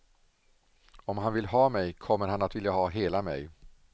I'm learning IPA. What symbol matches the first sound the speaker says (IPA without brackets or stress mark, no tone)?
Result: ɔ